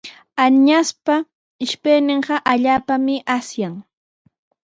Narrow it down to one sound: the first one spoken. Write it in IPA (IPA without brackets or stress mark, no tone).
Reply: a